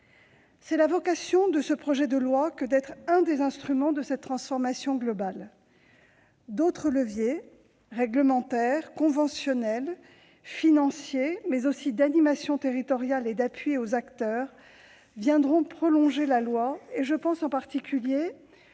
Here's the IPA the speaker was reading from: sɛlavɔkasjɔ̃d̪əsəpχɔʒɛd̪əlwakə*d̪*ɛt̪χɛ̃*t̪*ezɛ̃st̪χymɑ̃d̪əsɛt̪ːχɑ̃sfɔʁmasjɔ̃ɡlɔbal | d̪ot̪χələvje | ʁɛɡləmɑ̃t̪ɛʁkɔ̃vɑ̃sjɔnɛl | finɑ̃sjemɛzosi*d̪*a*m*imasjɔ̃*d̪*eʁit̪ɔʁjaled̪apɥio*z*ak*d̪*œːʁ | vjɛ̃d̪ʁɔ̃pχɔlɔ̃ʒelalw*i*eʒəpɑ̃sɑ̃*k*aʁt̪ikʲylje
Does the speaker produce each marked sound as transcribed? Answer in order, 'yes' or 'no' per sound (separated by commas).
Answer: yes, no, yes, no, no, yes, no, no, no